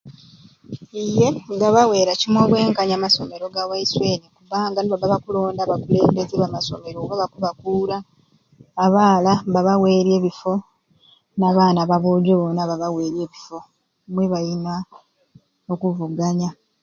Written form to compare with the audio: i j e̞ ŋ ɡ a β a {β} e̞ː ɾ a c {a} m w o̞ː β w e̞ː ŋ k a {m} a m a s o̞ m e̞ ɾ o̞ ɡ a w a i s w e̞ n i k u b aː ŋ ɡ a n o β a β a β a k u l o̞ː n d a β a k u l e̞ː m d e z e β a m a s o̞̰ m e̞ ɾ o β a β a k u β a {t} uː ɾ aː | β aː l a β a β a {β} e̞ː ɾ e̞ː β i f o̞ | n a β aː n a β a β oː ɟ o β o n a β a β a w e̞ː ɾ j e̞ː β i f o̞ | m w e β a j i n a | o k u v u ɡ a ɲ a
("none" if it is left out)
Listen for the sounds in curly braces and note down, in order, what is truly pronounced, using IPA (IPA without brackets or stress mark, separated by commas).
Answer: w, i, ɲ, k, w